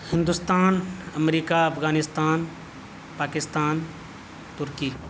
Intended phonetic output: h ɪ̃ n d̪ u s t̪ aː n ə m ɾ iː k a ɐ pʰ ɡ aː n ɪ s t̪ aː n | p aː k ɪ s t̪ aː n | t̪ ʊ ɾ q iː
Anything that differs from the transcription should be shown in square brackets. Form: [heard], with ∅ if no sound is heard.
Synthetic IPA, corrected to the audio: h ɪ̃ n d̪ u s t̪ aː n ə m ɾ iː k a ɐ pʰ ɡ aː n ɪ s t̪ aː n | p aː k ɪ s t̪ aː n | t̪ ʊ ɾ [k] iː